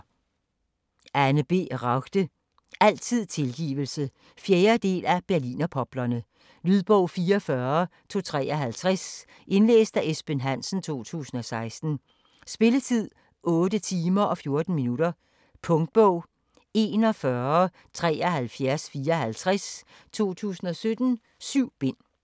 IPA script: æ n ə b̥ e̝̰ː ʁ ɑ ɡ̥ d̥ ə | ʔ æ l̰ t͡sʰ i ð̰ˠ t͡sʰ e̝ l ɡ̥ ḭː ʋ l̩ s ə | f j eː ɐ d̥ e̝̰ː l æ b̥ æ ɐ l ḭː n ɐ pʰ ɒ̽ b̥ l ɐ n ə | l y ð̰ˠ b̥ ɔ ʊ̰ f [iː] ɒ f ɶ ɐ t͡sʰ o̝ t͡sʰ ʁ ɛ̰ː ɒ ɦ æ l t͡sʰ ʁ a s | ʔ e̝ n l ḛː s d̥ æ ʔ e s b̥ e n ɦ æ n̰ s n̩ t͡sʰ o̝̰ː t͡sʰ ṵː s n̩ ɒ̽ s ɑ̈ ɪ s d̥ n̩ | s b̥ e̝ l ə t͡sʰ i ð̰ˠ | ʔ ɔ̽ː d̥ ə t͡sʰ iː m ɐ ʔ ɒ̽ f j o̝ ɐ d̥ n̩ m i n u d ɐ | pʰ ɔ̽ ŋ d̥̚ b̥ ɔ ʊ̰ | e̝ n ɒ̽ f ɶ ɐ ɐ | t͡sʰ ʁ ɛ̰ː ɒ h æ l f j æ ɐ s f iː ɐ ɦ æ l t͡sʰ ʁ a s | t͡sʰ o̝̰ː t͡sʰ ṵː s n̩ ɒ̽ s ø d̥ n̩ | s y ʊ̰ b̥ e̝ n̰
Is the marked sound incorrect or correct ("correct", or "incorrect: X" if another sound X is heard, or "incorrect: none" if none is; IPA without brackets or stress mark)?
correct